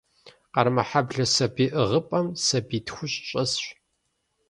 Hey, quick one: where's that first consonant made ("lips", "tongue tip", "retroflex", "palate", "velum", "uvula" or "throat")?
uvula